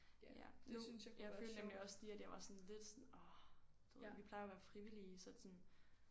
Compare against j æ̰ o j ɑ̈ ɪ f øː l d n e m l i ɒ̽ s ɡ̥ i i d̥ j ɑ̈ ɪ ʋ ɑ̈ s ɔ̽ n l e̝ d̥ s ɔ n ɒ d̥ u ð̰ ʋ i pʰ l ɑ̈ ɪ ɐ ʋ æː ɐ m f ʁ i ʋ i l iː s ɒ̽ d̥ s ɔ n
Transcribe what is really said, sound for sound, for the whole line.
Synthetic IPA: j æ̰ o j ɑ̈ ɪ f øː l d n e m l i ɒ̽ s d̥ i æ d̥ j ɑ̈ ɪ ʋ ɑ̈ s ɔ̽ n l e̝ d̥ s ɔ n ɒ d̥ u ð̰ ʋ i pʰ l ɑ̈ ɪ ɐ ʋ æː ɐ f ʁ i ʋ i l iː s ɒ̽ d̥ s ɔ n